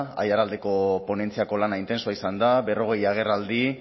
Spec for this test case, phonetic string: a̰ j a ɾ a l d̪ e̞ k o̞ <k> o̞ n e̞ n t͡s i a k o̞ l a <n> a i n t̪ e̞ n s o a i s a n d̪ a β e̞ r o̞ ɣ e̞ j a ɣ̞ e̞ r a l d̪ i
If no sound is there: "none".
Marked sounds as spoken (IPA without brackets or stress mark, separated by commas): p, n